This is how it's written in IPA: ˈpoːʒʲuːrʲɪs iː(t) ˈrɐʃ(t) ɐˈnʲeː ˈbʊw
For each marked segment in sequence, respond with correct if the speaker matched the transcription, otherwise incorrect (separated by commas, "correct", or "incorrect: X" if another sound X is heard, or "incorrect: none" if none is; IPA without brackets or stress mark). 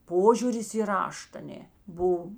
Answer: incorrect: none, correct